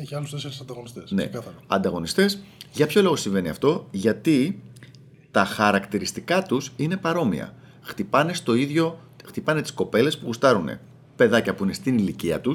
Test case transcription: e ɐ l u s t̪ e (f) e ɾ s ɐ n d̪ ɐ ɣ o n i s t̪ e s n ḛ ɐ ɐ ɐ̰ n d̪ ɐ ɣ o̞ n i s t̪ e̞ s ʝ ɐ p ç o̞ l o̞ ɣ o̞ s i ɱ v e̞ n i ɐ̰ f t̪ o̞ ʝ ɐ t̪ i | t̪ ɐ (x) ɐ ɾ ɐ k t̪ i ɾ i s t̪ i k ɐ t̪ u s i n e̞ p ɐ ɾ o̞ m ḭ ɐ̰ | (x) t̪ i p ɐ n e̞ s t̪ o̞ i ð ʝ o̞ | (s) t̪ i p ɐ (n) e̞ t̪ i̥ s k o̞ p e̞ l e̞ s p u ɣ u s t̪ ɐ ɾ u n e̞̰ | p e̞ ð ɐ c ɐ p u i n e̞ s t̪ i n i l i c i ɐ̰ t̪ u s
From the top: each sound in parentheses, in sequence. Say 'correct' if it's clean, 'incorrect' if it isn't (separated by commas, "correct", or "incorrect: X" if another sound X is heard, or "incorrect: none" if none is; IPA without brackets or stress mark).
incorrect: s, correct, correct, incorrect: x, correct